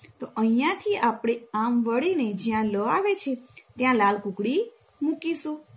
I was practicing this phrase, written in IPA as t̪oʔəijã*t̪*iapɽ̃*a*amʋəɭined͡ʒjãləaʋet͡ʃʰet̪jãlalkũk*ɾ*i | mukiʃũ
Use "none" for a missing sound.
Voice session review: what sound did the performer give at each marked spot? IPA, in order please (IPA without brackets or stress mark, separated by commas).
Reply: t̪ʰ, e, ɽ